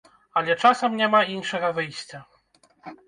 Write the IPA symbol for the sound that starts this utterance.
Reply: a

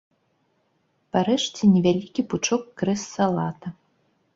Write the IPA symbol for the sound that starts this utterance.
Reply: p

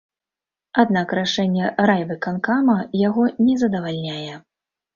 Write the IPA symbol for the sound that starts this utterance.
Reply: a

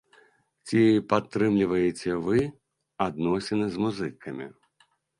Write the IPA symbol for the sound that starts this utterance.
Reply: t͡sʲ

